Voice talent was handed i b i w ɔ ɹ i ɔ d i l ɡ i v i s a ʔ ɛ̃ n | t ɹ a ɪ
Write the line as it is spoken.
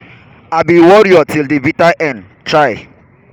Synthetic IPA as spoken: a b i w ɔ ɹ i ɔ t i l d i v i t a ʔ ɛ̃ n | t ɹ a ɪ